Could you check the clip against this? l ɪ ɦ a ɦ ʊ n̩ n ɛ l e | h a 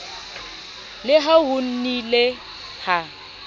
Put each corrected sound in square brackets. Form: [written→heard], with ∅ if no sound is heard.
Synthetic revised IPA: l ɪ ɦ a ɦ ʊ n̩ n [ɛ→i] l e | h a